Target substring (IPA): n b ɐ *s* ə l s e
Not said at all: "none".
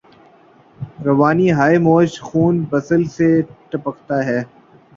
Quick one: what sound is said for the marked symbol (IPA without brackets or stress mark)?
s